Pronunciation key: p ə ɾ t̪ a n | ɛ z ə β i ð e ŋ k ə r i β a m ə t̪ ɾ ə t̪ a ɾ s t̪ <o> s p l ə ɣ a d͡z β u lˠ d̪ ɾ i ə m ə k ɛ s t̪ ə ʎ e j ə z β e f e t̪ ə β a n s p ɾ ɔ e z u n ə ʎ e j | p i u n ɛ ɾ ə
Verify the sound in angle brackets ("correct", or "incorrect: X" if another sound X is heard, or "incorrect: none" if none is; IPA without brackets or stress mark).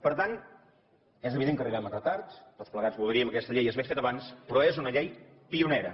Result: correct